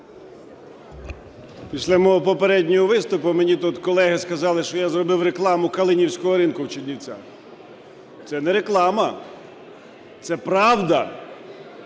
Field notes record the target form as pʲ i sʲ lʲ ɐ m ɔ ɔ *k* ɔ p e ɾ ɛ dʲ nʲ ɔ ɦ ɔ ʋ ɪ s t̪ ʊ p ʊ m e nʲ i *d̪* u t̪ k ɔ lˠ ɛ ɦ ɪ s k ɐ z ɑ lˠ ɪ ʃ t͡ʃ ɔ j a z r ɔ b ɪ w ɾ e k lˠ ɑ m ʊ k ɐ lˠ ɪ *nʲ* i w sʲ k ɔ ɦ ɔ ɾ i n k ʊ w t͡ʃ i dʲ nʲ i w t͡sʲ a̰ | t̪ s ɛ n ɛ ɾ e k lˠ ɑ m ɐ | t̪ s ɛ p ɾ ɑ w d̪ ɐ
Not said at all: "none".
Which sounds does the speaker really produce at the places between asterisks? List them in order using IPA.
p, t̪, nʲ

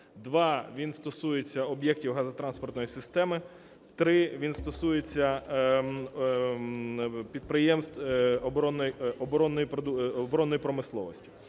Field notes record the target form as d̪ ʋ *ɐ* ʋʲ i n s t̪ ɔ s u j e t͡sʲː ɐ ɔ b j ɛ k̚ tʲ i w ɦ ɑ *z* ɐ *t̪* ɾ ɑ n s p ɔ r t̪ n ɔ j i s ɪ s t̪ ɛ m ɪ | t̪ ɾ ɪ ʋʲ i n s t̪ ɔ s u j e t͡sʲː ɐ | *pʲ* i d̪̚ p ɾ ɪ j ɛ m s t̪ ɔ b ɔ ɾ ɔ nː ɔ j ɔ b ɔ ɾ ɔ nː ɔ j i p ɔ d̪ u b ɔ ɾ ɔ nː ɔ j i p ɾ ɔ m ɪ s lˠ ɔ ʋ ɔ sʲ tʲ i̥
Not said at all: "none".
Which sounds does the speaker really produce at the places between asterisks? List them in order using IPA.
ɑ, z, t̪, pʲ

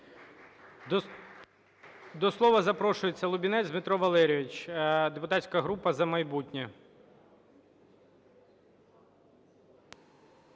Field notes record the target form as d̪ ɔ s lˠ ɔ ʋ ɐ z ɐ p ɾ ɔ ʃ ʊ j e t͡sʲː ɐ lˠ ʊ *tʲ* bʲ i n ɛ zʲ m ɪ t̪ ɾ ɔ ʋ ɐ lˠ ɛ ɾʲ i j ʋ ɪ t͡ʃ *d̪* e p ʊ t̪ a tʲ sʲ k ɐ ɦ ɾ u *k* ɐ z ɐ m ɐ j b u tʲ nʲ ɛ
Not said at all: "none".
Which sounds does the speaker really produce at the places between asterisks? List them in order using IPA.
none, d̪, p

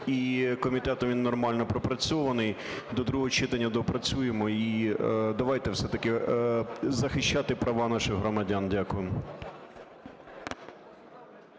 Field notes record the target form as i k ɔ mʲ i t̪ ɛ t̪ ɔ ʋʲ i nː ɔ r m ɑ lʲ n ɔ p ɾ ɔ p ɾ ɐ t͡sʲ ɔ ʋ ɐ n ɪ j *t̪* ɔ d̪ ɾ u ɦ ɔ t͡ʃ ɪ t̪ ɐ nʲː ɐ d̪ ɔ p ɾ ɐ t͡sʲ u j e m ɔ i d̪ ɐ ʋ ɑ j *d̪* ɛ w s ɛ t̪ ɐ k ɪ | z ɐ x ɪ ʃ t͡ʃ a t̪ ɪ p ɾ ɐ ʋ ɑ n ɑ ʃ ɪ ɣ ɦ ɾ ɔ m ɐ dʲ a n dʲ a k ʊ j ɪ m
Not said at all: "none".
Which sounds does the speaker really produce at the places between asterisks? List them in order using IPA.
d̪, t̪

